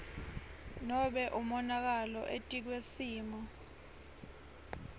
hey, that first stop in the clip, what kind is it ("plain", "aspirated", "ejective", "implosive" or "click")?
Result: implosive